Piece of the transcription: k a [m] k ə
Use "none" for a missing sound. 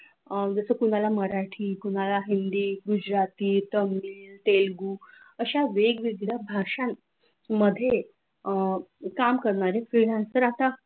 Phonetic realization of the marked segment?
m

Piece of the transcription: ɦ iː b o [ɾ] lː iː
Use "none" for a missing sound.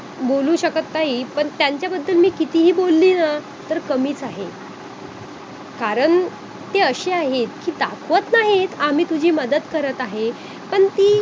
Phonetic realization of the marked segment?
none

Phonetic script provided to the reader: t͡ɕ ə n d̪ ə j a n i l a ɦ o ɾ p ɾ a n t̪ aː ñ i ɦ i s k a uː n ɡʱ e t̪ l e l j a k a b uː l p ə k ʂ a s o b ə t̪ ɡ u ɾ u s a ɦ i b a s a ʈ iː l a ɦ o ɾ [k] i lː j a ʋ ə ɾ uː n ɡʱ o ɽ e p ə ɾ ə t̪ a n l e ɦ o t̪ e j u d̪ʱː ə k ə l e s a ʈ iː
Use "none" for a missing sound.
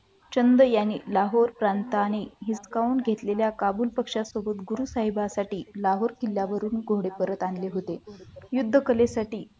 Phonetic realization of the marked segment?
k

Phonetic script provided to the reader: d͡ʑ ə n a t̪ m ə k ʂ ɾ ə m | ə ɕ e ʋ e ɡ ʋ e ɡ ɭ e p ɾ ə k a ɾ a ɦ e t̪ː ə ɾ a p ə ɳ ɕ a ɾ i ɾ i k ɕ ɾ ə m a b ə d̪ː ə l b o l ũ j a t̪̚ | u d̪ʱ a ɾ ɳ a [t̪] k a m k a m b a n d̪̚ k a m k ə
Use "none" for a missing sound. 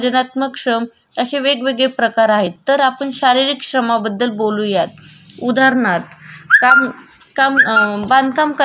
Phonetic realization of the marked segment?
t̪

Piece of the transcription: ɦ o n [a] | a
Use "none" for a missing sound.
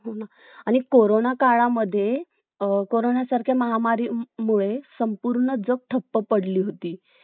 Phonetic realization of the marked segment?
a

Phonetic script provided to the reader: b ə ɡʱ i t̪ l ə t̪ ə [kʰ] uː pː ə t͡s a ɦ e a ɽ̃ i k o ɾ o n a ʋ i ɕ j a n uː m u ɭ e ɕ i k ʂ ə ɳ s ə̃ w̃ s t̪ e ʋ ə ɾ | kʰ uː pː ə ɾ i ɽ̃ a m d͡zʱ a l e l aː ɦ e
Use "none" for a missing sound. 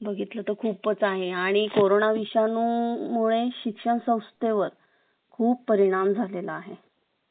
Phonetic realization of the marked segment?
kʰ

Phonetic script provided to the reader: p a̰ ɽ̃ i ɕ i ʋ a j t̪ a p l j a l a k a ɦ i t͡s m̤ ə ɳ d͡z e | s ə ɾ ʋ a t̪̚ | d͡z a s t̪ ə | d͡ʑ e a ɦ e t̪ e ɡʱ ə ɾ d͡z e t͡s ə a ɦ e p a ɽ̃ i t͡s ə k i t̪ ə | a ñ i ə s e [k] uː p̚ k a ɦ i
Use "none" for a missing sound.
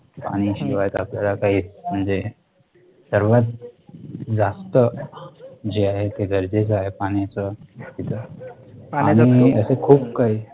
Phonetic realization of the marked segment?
kʰ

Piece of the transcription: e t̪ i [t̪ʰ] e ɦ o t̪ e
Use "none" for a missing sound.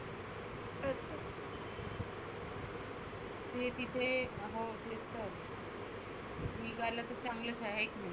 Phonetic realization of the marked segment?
t̪ʰ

